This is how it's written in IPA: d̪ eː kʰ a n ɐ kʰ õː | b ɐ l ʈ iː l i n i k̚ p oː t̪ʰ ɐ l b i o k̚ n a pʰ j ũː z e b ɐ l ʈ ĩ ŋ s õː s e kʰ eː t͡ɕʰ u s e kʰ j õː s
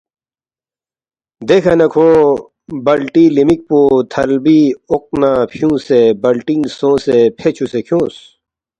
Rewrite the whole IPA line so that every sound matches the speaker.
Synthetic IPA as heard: d̪ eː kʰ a n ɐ kʰ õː | b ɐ l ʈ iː l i m i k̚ p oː t̪ʰ ɐ l b i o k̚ n a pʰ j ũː s e b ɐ l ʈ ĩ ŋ s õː s e pʰ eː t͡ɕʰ u s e kʰ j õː s